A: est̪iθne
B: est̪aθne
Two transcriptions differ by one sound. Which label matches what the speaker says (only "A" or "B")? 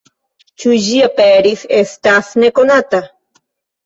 B